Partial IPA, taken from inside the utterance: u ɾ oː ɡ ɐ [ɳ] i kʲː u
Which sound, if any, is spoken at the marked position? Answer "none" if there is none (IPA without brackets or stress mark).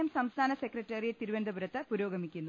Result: m